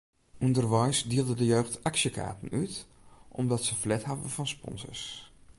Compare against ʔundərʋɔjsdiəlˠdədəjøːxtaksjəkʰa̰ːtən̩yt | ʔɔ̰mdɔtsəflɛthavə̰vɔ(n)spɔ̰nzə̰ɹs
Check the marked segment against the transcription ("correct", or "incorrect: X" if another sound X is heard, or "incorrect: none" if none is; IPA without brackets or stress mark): correct